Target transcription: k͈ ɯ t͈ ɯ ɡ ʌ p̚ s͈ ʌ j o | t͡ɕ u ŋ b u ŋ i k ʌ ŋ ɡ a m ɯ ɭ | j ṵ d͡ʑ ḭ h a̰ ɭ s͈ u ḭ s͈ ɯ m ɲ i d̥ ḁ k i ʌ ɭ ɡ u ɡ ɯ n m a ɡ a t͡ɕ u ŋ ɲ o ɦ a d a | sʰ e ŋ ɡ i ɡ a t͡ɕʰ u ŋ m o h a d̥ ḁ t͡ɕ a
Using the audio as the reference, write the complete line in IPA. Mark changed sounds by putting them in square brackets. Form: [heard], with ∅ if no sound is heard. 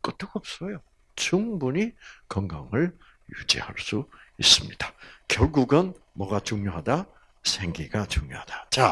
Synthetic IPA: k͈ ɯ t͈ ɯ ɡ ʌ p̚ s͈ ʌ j o | t͡ɕ u ŋ b u [ɲ] i k ʌ ŋ ɡ a [ŋ] ɯ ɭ | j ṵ d͡ʑ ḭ h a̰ ɭ s͈ u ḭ s͈ ɯ m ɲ i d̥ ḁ k [j] ʌ ɭ ɡ u ɡ ɯ n m [ʌ] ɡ a t͡ɕ u ŋ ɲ o ɦ a d a | sʰ e ŋ ɡ i ɡ a [t͡ɕ] u ŋ [ɲ] o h a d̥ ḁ t͡ɕ a